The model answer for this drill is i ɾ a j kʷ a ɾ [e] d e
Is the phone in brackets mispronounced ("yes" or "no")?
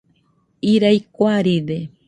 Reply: yes